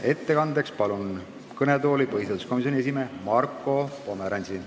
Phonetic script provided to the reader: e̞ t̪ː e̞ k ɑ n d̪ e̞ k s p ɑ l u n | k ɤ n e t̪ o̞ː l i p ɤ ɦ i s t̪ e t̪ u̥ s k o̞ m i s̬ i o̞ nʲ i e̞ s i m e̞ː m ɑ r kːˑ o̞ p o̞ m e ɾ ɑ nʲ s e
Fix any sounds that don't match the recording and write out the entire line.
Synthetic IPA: e̞ t̪ː e̞ k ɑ n d̪ e̞ k s p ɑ l u n | k ɤ n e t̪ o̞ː l i p ɤ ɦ i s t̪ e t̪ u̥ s k o̞ m i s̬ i o̞ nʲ i e̞ s i m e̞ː m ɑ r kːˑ o̞ p o̞ m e ɾ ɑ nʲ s i